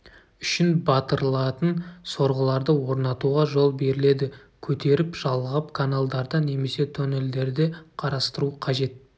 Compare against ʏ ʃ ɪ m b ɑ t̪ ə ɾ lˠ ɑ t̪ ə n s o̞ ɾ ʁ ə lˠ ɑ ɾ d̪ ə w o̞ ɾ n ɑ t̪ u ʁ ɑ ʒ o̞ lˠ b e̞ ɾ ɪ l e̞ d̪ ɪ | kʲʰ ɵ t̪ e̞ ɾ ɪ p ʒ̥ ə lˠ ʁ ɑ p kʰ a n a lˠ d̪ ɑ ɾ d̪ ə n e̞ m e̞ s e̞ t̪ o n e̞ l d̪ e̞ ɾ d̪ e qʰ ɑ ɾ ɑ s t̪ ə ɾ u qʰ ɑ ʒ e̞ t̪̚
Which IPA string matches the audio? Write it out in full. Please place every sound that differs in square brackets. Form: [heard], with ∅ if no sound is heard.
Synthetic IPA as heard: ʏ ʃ ɪ [n] b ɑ t̪ ə ɾ lˠ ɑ t̪ ə n s o̞ ɾ ʁ ə lˠ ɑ ɾ d̪ ə w o̞ ɾ n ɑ t̪ u ʁ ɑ ʒ o̞ lˠ b e̞ ɾ ɪ l e̞ d̪ ɪ | kʲʰ ɵ t̪ e̞ ɾ ɪ p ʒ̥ [ɑ] lˠ ʁ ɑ p kʰ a n a lˠ d̪ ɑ ɾ d̪ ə n e̞ m e̞ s e̞ [t̪ʰ] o n e̞ l d̪ e̞ ɾ d̪ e qʰ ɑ ɾ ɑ s t̪ ə ɾ u qʰ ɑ ʒ e̞ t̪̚